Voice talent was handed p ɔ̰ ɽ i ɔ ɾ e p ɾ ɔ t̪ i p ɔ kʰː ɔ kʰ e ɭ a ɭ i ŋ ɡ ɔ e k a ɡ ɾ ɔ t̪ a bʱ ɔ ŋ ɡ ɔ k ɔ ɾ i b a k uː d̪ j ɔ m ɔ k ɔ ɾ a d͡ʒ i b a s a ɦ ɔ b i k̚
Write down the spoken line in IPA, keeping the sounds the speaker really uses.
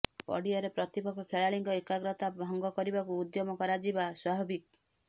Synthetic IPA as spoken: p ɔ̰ ɽ i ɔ ɾ e p ɾ ɔ t̪ i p ɔ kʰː ɔ kʰ e ɭ a ɭ i ŋ ɡ ɔ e k a ɡ ɾ ɔ t̪ a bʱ ɔ ŋ ɡ ɔ k ɔ ɾ i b a k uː d̪ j ɔ m ɔ k ɔ ɾ a d͡ʒ i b a s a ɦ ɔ b i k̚